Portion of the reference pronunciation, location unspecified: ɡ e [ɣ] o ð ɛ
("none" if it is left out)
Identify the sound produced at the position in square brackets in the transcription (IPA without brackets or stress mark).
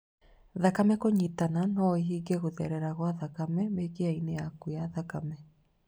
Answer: ɣ